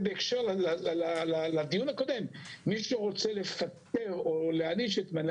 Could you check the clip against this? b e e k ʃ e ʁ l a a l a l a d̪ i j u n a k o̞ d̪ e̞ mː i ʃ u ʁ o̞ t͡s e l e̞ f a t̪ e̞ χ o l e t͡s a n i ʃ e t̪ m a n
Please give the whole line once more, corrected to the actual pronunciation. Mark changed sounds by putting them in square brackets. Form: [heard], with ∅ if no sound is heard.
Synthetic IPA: b e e k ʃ e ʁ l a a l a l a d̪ i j u n a k o̞ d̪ e̞ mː i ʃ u ʁ o̞ t͡s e l e̞ f a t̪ e̞ [ʁ] o l e [∅] a n i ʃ e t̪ m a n